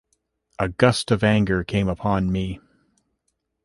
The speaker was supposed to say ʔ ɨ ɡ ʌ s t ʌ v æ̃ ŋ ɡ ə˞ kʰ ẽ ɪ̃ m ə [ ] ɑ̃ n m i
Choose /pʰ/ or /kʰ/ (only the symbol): pʰ